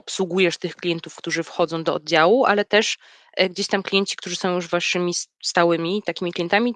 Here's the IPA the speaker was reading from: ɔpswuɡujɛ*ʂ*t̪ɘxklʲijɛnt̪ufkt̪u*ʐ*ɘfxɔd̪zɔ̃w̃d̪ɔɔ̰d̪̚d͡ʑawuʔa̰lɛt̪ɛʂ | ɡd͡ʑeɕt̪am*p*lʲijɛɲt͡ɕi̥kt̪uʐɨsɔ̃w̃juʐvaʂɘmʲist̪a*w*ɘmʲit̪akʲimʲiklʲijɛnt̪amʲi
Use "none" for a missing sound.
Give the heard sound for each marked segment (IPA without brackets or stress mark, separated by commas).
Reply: ʂ, ʐ, k, w